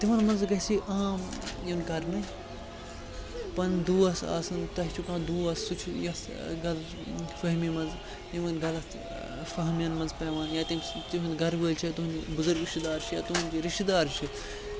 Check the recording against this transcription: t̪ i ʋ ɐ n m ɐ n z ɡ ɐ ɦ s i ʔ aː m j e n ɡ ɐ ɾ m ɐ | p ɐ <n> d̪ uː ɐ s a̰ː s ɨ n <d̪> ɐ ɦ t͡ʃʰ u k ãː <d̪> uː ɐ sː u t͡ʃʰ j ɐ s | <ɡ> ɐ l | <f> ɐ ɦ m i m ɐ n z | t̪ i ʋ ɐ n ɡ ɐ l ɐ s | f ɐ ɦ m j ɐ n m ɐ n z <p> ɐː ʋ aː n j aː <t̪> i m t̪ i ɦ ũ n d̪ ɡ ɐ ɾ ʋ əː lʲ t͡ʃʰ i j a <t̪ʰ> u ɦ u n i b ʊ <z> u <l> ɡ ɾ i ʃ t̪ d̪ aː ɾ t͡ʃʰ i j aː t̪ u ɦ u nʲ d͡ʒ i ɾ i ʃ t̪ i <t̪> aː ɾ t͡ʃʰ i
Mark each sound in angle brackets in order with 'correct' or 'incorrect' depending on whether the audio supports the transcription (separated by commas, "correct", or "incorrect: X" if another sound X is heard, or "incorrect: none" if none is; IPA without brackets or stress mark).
correct, incorrect: t̪, correct, correct, correct, correct, correct, incorrect: t̪, correct, incorrect: ɾ, incorrect: d̪